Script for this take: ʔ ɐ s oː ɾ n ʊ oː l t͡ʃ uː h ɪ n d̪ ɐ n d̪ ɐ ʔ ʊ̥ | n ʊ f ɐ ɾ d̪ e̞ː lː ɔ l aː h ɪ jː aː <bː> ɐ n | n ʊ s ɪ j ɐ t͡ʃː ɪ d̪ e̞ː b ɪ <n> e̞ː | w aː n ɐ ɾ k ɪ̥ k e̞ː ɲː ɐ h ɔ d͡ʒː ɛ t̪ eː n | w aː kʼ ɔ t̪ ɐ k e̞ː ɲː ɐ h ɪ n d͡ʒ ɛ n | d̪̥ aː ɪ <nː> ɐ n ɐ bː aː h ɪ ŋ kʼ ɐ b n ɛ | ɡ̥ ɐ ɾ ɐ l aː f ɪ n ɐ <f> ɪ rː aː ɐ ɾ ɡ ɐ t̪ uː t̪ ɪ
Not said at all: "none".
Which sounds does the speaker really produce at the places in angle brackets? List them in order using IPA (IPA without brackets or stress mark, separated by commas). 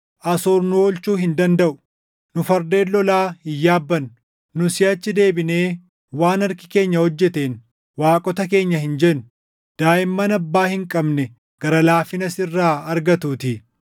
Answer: bː, n, mː, s